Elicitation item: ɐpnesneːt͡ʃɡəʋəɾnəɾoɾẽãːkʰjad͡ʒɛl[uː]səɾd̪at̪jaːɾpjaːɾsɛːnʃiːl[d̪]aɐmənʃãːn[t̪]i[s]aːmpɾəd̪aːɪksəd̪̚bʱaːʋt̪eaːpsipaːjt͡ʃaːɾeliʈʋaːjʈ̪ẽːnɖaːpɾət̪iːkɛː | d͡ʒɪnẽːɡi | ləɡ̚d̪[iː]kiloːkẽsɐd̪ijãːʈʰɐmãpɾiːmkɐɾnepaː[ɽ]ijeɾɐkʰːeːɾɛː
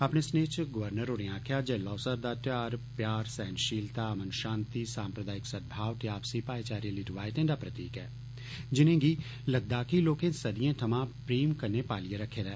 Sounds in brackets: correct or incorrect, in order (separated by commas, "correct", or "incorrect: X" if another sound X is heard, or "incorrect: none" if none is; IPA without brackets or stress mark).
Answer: incorrect: ɔː, incorrect: t̪, correct, correct, incorrect: aː, incorrect: l